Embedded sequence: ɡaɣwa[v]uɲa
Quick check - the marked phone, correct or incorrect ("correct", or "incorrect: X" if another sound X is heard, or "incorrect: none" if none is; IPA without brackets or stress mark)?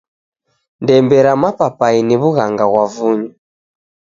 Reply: correct